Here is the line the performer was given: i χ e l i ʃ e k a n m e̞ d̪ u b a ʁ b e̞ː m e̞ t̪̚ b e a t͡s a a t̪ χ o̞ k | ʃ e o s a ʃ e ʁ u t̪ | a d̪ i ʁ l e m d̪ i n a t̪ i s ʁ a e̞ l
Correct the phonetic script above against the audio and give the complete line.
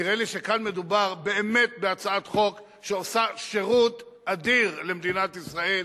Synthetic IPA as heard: i ʁ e l i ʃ e k a n m e̞ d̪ u b a ʁ b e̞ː m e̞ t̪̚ b e a t͡s a a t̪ χ o̞ k | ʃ e o s a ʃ e ʁ u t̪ | a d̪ i ʁ l e m d̪ i n a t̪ i s ʁ a e̞ l